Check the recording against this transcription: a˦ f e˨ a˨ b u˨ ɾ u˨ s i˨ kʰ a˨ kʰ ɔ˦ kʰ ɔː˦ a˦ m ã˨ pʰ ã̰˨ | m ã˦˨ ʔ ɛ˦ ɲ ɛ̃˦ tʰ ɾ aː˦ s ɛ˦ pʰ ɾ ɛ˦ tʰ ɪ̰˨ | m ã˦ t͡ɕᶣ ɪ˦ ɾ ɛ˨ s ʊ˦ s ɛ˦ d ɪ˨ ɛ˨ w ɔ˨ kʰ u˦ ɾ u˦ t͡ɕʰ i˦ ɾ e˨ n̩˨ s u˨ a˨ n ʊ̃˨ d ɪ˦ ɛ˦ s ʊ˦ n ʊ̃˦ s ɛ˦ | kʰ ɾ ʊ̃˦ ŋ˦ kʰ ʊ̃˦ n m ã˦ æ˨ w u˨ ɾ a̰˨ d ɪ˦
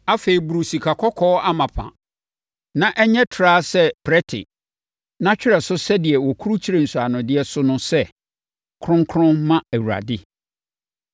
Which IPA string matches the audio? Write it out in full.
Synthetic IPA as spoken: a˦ f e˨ i˨ b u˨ ɾ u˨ s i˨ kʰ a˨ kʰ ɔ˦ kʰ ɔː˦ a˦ m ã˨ pʰ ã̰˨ | n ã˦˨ ʔ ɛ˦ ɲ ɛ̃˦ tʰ ɾ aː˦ s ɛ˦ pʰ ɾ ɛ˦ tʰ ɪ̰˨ | n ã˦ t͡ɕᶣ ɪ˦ ɾ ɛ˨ s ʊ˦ s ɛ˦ d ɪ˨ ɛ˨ w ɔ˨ kʰ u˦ ɾ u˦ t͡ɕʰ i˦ ɾ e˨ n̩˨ s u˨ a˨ n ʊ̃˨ d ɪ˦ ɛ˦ s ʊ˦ n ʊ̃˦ s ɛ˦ | kʰ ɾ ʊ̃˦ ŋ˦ kʰ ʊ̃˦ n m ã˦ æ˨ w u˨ ɾ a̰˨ d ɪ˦

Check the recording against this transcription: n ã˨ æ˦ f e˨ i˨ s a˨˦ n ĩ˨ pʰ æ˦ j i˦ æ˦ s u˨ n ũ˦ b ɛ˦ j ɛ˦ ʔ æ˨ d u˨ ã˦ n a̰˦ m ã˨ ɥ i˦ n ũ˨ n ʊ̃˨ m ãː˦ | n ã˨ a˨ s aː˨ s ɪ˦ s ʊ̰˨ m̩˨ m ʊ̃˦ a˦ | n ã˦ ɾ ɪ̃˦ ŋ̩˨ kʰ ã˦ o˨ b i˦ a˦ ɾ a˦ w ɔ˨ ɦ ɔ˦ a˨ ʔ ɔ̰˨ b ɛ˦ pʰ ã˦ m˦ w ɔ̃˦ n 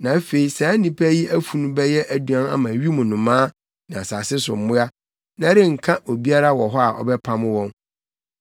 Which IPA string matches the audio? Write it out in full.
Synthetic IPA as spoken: n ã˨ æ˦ f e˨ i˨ s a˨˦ n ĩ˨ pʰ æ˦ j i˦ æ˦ f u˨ n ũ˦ b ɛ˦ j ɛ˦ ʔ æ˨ d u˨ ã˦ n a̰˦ m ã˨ ɥ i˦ m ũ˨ n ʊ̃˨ m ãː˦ | n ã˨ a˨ s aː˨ s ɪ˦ s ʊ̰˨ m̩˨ m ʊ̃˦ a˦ | n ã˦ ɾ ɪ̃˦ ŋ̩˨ kʰ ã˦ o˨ b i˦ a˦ ɾ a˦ w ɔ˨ ɦ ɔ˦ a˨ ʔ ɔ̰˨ b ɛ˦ pʰ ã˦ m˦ w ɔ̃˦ n

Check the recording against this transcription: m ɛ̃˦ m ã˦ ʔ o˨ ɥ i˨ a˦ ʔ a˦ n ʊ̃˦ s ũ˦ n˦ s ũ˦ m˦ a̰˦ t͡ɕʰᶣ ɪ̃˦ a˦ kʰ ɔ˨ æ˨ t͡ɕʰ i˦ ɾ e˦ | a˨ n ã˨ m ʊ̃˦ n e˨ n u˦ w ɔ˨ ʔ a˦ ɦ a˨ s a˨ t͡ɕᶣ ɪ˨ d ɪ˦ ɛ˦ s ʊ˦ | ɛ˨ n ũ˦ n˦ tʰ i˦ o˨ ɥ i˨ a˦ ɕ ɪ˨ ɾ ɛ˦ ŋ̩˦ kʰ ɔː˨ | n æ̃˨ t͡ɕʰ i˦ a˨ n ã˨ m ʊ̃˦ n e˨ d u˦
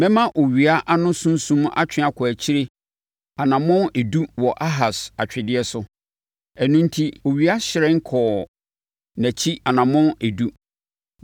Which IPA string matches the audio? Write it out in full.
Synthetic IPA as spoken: m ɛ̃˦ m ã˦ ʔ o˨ ɥ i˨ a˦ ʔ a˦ n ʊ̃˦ s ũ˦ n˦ s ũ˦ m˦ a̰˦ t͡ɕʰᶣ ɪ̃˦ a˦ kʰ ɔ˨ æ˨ t͡ɕʰ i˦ ɾ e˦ | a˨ n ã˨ m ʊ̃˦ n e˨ d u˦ w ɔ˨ ʔ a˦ ɦ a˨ s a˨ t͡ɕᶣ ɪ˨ d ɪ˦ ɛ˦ s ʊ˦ | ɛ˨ n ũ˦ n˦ tʰ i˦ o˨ ɥ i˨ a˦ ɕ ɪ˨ ɾ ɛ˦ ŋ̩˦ kʰ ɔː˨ | n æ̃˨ t͡ɕʰ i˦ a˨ n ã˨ m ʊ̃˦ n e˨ d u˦

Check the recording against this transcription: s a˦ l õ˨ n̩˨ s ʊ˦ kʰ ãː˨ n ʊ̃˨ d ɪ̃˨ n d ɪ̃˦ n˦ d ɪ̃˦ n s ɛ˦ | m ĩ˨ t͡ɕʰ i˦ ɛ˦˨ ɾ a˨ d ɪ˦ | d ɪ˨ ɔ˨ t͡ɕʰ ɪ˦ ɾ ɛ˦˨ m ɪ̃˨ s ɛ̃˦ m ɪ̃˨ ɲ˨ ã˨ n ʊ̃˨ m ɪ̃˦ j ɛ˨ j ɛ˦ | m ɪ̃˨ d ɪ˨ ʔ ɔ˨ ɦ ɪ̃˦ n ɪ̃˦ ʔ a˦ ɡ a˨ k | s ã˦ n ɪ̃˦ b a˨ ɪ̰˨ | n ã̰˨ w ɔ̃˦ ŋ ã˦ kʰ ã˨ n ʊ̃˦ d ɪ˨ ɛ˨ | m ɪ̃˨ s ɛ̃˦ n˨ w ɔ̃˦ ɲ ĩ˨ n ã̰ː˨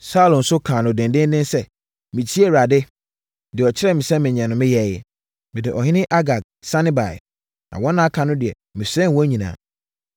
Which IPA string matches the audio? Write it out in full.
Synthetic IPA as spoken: s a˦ l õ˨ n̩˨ s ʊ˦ kʰ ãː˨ n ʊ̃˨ d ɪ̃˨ n d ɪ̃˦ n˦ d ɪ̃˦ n s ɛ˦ | m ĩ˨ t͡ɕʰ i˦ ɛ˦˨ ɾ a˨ d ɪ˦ | d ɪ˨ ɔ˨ t͡ɕʰ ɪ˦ ɾ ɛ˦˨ m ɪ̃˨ s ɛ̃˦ m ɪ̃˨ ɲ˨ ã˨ n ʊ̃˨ m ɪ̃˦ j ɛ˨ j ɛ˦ | m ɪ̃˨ d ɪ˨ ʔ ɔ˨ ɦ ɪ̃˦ n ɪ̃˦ ʔ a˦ ɡ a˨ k | s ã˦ n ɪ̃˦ b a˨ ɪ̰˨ | n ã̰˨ w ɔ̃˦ n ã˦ kʰ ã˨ n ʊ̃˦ d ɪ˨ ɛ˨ | m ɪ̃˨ s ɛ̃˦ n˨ w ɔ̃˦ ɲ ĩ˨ n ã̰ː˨

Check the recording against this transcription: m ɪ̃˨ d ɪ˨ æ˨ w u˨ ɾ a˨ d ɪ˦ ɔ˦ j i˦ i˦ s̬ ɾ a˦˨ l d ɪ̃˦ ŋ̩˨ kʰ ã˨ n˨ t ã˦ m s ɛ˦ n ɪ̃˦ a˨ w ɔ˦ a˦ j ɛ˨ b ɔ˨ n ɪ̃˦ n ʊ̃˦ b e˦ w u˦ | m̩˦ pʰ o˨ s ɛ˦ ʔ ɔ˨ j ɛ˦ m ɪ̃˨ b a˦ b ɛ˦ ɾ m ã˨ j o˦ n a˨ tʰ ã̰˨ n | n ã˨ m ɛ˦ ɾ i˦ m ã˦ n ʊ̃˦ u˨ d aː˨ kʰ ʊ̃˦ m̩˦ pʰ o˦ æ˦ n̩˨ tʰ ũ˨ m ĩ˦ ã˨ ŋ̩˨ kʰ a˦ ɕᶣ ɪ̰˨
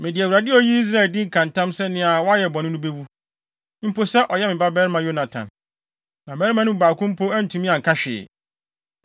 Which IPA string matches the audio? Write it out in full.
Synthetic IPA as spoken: m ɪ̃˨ d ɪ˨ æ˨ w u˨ ɾ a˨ d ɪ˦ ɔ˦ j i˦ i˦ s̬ ɾ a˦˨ l d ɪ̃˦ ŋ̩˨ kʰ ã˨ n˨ t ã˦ m s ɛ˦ n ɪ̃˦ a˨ w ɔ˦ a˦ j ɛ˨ b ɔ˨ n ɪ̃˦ n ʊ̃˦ b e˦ w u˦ | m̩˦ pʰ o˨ s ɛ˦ ʔ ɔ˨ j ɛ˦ m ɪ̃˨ b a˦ b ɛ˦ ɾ m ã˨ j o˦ n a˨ tʰ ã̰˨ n | n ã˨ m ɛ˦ ɾ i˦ m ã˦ n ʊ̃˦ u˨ b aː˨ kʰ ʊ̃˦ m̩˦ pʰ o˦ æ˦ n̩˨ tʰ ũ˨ m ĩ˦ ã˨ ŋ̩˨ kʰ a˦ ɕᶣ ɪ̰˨

